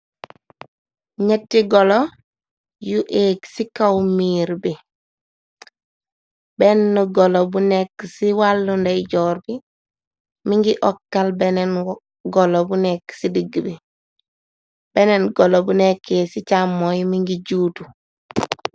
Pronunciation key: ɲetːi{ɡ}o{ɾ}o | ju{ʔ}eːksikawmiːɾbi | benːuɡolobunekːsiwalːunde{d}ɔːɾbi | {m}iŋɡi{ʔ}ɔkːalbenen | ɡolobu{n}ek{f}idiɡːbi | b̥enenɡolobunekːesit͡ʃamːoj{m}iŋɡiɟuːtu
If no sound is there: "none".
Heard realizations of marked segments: ɡ, l, ʔ, ɟ, m, ʔ, n, s, m

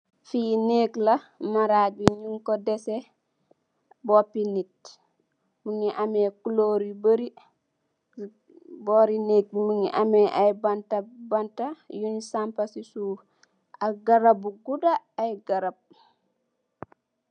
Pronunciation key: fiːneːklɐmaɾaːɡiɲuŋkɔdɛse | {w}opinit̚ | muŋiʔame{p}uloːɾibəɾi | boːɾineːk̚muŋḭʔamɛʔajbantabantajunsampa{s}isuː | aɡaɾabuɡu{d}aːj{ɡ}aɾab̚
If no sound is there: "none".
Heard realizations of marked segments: b, k, s, d, ɡ

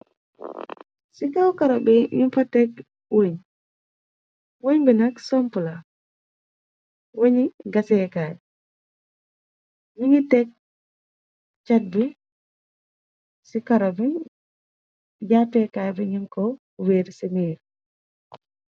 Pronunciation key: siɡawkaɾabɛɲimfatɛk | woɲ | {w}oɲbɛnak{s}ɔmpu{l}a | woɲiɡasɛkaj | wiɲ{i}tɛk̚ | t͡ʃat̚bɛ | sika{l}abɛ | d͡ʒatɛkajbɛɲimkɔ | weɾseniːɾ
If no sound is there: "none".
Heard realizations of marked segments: w, s, l, i, ɾ

